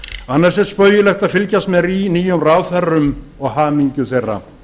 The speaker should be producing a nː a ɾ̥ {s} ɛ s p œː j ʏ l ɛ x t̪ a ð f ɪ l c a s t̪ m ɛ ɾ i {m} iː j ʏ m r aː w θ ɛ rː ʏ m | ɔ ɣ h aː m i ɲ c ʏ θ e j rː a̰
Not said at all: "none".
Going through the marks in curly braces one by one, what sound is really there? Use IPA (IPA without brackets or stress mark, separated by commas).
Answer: s, n